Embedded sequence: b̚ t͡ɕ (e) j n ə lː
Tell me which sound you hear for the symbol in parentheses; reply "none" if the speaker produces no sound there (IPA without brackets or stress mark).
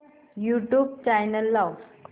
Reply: a